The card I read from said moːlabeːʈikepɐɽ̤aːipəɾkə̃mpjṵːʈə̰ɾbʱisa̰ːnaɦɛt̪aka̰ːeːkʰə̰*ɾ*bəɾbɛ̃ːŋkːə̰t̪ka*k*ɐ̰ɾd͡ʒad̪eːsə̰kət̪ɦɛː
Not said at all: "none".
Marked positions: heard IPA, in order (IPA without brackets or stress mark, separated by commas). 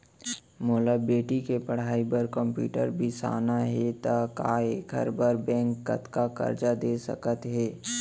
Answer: ɾ, k